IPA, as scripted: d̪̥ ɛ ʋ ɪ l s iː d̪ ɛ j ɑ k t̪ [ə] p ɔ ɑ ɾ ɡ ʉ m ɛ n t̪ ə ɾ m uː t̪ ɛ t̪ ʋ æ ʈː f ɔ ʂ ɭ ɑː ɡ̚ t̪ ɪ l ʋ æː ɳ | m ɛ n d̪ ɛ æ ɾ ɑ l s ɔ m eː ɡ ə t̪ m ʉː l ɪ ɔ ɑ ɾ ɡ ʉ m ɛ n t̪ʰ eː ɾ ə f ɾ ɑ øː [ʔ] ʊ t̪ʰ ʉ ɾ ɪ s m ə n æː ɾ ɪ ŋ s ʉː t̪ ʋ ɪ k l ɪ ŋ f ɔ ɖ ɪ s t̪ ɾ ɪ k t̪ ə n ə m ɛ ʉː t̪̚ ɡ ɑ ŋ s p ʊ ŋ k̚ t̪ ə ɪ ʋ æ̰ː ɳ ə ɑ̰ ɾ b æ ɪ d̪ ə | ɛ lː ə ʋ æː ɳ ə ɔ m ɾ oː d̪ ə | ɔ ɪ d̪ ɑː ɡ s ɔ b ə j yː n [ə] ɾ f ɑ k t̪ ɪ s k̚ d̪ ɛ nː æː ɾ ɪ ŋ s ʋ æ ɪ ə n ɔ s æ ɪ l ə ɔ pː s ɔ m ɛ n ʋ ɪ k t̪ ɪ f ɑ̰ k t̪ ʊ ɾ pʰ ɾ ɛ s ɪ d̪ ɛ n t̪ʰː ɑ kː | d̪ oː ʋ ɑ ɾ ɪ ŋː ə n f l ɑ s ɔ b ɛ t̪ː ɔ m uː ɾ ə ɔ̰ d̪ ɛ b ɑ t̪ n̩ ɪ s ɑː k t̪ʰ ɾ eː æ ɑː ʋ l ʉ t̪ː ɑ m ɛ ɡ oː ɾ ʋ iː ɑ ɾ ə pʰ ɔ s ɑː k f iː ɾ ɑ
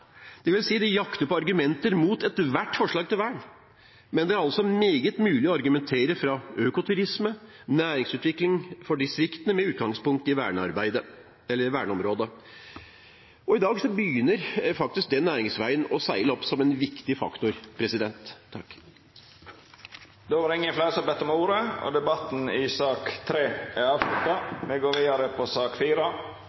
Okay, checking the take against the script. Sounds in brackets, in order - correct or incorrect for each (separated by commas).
correct, incorrect, correct